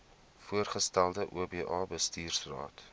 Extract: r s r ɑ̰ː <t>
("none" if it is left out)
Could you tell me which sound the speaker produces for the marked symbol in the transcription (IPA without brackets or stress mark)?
t